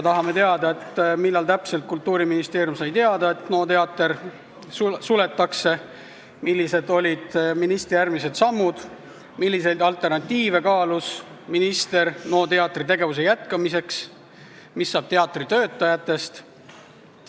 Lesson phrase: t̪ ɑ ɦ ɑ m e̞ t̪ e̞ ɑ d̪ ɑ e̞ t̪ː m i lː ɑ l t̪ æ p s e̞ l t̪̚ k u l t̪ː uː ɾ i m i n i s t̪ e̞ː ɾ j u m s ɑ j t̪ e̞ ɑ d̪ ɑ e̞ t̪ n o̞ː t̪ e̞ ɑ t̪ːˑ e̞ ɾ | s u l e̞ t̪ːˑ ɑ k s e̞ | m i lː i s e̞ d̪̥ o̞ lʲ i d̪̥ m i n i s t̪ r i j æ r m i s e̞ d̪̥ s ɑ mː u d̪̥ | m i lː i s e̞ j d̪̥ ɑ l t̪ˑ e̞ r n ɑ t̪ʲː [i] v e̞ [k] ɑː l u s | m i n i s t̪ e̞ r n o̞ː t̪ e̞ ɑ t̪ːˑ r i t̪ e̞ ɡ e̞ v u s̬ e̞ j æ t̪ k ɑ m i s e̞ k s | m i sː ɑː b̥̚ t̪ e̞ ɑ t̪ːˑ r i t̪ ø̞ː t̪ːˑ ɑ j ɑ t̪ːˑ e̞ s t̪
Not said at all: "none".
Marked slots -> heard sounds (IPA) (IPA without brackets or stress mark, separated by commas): iː, k